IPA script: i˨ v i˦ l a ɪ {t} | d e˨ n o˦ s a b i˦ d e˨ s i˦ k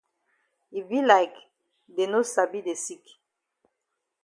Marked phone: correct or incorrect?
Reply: incorrect: k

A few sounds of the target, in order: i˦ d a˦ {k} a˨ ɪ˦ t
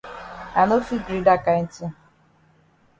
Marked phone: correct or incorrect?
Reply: correct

